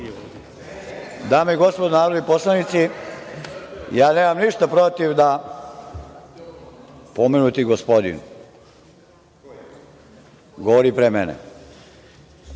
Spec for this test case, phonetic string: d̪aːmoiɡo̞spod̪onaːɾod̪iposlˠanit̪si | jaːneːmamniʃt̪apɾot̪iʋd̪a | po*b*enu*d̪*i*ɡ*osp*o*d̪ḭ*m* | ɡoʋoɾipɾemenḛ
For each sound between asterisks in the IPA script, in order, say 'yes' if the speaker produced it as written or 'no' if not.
no, no, yes, yes, no

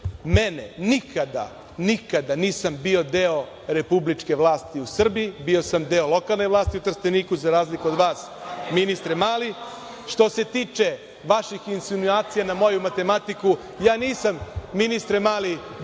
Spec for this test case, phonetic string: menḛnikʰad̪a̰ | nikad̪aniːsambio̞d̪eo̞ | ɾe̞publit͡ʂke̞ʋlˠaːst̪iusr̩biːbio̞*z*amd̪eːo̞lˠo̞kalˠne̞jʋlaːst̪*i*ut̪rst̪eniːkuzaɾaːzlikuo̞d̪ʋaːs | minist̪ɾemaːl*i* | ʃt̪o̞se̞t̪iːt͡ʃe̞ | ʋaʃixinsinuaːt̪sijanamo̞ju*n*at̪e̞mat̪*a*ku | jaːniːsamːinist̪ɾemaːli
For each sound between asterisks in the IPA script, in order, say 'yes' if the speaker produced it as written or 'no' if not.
no, yes, yes, no, no

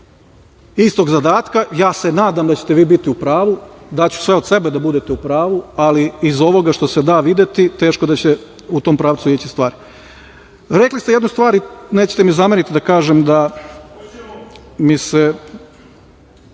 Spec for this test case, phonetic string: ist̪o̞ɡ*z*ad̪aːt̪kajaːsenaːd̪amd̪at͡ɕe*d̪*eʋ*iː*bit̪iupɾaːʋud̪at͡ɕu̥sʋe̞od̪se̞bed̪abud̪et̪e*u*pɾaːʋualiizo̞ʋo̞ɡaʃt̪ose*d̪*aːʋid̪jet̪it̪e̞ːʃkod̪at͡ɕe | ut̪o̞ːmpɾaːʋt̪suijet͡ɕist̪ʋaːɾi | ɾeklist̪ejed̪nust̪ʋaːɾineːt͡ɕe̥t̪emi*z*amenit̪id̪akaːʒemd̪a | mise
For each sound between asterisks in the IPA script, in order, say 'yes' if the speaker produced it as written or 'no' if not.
yes, no, yes, yes, yes, yes

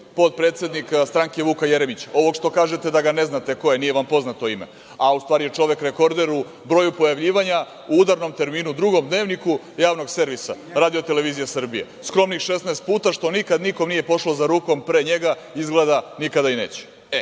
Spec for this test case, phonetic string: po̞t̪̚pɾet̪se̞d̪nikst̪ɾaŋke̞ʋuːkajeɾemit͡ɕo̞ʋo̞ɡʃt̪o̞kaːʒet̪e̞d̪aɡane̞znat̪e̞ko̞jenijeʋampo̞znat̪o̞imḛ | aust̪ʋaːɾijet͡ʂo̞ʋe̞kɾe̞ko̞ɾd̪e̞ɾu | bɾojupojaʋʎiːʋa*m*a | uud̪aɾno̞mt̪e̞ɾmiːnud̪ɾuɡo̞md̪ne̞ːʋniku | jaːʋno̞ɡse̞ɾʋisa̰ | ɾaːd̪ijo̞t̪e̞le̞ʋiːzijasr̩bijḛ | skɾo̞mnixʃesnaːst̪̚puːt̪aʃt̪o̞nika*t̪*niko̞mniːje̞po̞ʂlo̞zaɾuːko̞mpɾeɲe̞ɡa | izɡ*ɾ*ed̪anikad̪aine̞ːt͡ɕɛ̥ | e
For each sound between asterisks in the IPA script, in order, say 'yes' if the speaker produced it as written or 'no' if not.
no, no, no

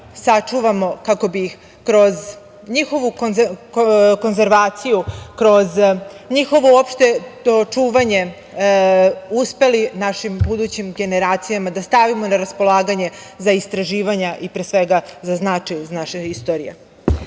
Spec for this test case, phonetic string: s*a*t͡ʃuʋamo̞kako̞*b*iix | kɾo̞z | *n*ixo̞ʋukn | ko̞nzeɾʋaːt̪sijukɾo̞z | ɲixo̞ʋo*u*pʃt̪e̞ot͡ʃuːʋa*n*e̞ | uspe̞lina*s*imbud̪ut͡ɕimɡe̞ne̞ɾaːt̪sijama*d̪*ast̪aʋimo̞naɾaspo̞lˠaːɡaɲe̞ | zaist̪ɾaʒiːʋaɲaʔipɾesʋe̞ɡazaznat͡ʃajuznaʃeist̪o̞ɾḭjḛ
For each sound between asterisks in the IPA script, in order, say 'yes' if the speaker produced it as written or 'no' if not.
yes, yes, no, no, no, no, yes

